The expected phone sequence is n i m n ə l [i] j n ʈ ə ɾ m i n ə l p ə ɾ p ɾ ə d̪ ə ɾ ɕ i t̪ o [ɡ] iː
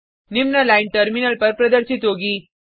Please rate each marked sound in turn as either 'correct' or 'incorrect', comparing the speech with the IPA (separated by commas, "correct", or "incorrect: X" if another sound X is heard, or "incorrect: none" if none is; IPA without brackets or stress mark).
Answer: incorrect: a, correct